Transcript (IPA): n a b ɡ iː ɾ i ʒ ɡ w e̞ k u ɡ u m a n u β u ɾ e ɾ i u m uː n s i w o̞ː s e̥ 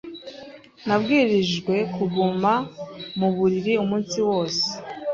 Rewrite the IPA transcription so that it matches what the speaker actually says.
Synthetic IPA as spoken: n a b ɡ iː ɾ i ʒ ɡ w e̞ k u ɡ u m a m u β u ɾ i ɾ i u m uː n s i w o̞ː s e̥